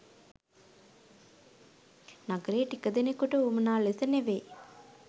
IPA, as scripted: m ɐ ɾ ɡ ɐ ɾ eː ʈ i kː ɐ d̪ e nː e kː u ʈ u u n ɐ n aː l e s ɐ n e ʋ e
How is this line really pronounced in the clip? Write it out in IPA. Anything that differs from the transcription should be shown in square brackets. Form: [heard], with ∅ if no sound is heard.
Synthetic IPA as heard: [n] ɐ [∅] ɡ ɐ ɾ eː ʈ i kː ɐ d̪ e [n] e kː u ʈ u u [m] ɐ n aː l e s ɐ n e ʋ e